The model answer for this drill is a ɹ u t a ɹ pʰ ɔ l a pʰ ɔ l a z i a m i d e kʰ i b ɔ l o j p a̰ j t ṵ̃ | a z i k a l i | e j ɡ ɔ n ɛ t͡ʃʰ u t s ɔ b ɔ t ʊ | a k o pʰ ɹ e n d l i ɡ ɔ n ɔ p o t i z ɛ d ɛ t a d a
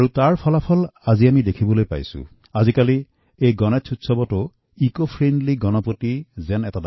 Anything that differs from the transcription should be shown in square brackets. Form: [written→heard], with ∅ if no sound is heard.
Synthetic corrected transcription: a ɹ u t a ɹ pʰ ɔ l a pʰ ɔ l a z i a m i d e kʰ i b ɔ l o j p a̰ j [t→s] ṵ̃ | a z i k a l i | e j ɡ ɔ n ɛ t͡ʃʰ u t s ɔ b ɔ t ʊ | [a→i] k o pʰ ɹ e n d l i ɡ ɔ n ɔ p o t i z ɛ [d→n] ɛ t a d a